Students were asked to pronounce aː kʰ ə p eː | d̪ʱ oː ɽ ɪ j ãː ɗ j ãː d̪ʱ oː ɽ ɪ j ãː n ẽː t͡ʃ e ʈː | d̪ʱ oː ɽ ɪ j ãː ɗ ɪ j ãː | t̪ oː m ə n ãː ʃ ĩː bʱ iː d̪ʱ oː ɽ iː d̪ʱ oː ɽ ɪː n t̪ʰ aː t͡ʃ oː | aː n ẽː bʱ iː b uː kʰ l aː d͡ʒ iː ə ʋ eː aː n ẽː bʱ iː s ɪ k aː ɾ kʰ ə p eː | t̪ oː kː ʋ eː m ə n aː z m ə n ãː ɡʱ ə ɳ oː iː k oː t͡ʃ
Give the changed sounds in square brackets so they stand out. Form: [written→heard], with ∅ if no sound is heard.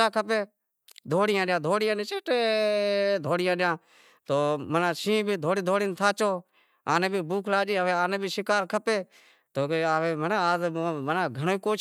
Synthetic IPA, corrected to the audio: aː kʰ ə p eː | d̪ʱ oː ɽ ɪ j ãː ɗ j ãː d̪ʱ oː ɽ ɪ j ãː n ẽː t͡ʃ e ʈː | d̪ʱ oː ɽ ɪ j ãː ɗ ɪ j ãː | t̪ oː m ə n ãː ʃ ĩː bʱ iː d̪ʱ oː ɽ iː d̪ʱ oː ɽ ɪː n t̪ʰ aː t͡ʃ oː | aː n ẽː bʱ iː b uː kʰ l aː d͡ʒ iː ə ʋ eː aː n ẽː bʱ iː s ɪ k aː ɾ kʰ ə p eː | t̪ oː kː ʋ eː m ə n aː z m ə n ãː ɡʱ ə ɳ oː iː k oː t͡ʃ

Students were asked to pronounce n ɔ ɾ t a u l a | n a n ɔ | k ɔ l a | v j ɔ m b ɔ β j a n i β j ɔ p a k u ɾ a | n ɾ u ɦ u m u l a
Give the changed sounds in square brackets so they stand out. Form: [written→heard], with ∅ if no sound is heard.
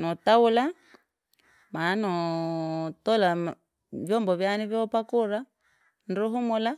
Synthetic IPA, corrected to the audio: n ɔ [ɾ→∅] t a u l a | [n→m] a n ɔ | [k→t] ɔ l a | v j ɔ m b ɔ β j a n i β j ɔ p a k u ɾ a | n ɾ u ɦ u m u l a

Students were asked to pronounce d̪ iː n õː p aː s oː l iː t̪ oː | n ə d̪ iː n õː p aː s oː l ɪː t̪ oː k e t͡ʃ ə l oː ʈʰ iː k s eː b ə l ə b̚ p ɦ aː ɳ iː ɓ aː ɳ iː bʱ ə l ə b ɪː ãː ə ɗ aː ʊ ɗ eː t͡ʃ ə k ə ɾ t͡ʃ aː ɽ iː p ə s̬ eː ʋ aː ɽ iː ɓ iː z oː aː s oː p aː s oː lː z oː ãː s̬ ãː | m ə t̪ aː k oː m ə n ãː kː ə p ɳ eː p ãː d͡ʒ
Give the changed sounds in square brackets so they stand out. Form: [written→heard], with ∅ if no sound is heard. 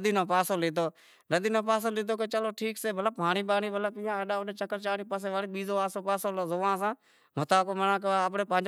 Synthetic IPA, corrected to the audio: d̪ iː n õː p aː s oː l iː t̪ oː | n ə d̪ iː n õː p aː s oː l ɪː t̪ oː k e t͡ʃ ə l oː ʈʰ iː k s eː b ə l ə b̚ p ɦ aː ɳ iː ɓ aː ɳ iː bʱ ə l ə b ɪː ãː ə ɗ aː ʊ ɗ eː t͡ʃ ə k ə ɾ t͡ʃ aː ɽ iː p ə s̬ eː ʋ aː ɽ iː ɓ iː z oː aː s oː p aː s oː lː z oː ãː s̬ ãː | m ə t̪ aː k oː m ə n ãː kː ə p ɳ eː p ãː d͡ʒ

